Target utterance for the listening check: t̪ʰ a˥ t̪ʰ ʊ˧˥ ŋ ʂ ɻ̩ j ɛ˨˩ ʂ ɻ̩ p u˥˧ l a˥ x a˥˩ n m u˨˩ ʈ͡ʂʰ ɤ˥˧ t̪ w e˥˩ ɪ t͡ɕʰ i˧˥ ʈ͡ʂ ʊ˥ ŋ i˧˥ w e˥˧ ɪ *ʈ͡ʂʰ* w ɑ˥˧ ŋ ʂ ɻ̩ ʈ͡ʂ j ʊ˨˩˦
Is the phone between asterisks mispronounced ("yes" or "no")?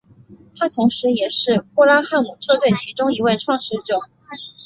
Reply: no